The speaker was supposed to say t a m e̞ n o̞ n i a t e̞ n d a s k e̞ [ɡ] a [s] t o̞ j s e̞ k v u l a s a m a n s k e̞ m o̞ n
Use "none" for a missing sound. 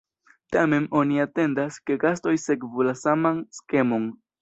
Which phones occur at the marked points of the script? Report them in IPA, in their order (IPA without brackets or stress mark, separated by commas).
ɡ, s